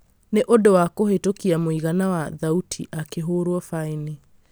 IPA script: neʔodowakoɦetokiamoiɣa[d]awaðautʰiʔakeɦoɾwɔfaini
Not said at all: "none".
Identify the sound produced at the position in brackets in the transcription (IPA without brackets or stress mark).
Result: n